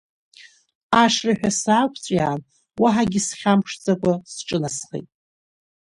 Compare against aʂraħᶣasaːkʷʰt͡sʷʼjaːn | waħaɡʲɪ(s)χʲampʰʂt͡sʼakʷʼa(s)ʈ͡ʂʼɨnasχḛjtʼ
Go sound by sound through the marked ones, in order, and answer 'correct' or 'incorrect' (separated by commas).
correct, correct